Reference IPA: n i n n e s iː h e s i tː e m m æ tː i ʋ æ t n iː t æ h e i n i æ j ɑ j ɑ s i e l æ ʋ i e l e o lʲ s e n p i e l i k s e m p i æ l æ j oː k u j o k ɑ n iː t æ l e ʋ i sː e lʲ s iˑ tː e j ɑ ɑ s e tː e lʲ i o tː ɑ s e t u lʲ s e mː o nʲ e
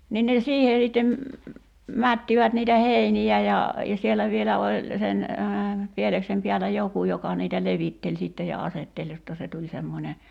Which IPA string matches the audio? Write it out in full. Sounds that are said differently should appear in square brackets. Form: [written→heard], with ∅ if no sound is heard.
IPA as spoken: n i n n e s iː h e s i tː e m m æ tː i ʋ æ t n iː t æ h e i n i æ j ɑ j ɑ s i e l æ ʋ i e l [e→æ] o lʲ s e n p i e l [i→e] k s e m p i æ l æ j [oː→o] k u j o k ɑ n iː t æ l e ʋ i [sː→tː] e lʲ s iˑ tː e j ɑ ɑ s e tː e lʲ [i→j] o tː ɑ s e t u lʲ s e mː o nʲ e